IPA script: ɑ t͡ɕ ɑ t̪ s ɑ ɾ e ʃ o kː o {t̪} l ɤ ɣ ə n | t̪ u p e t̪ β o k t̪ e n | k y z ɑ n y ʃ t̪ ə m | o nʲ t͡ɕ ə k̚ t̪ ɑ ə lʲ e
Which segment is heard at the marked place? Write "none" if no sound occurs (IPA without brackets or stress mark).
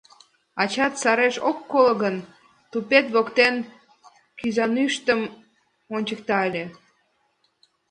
none